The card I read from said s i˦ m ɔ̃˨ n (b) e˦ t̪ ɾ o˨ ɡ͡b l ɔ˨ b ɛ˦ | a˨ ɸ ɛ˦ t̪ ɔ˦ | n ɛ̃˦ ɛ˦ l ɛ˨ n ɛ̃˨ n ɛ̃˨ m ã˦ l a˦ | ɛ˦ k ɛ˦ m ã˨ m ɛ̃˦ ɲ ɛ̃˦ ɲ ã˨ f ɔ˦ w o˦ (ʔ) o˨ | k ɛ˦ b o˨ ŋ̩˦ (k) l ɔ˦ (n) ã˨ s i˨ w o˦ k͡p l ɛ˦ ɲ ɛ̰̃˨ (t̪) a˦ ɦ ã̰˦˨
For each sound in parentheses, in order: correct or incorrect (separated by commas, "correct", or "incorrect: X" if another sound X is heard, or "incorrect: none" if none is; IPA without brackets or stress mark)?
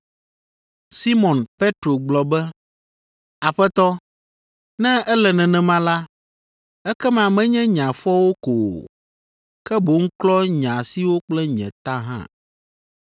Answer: incorrect: p, incorrect: k, correct, incorrect: ɲ, correct